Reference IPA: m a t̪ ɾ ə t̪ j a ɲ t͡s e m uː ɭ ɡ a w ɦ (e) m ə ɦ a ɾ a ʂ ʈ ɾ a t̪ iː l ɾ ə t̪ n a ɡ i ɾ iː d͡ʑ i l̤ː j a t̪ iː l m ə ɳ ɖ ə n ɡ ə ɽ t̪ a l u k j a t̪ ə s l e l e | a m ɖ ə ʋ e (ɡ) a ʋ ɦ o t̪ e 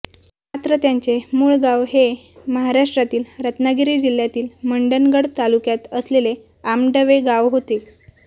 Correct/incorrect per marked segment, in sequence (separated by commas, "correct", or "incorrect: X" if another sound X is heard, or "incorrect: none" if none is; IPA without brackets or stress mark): correct, correct